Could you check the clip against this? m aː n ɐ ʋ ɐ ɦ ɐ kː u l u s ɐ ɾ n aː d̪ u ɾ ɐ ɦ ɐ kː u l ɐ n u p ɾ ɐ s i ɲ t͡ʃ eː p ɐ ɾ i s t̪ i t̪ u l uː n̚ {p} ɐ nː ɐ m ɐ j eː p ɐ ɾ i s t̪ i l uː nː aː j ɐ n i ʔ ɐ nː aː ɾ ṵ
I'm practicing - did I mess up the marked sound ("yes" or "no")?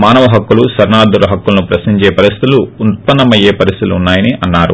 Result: no